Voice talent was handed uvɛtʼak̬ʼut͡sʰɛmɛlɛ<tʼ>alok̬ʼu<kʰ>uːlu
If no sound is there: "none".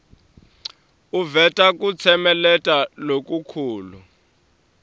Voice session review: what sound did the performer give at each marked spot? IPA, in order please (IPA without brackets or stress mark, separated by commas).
tʼ, kʰ